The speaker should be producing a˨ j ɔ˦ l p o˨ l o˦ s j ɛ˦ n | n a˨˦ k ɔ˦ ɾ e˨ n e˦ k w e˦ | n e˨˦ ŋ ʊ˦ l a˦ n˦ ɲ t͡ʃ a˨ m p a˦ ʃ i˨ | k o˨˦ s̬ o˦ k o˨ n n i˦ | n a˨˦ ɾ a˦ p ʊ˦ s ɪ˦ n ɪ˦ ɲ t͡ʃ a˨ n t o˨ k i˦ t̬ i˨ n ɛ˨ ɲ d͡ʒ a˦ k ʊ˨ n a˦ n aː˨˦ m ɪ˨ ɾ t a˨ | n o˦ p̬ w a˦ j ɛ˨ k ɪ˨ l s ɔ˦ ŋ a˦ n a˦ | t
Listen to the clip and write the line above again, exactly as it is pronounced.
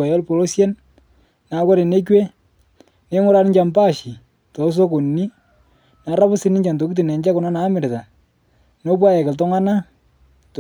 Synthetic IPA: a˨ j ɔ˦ l p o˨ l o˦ s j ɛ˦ n | n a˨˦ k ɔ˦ ɾ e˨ n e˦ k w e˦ | n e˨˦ ŋ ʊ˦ ɾ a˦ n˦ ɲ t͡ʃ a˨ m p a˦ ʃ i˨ | t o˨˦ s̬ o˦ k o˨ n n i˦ | n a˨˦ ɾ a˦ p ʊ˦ s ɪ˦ n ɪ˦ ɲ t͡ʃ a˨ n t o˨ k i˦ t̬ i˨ n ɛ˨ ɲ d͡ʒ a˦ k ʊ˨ n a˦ n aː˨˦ m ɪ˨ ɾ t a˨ | n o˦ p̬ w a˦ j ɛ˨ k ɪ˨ l t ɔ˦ ŋ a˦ n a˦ | t